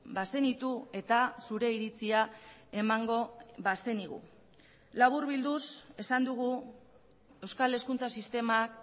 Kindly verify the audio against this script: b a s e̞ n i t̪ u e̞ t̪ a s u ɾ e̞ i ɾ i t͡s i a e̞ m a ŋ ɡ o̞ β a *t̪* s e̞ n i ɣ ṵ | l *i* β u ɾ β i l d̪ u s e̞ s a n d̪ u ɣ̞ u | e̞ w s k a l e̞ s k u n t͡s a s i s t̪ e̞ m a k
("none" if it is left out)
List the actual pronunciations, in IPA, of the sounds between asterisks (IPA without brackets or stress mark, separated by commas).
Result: none, a